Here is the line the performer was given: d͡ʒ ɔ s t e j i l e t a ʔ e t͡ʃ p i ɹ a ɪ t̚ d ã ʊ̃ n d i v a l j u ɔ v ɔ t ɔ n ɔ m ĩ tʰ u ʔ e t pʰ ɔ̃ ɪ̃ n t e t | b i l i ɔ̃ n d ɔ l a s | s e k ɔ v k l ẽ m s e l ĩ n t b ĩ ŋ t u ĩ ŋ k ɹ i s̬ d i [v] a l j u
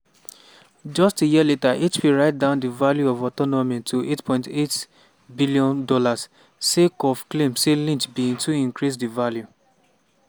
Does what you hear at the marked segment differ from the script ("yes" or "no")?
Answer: no